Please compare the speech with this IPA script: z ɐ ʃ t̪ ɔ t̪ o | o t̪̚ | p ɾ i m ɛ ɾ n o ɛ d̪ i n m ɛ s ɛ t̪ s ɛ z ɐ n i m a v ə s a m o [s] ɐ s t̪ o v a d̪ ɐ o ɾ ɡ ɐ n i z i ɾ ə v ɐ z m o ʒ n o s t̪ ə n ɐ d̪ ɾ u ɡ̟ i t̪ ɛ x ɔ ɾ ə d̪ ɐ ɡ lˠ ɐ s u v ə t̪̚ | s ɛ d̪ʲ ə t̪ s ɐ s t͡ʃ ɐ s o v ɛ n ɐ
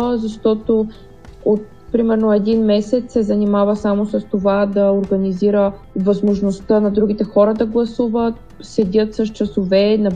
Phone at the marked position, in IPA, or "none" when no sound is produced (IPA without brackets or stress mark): s